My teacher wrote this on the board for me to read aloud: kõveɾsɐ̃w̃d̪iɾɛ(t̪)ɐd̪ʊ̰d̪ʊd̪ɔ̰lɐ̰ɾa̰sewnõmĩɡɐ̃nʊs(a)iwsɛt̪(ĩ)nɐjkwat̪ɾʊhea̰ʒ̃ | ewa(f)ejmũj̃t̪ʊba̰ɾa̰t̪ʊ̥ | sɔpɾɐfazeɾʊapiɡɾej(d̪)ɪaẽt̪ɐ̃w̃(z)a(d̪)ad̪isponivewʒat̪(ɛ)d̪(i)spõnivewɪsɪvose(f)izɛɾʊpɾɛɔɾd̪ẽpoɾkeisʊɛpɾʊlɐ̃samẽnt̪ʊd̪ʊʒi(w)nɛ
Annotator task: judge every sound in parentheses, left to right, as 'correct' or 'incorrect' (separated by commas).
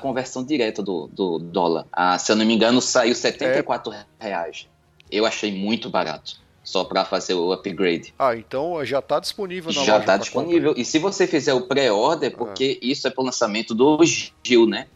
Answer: correct, correct, incorrect, incorrect, correct, incorrect, incorrect, incorrect, correct, correct, correct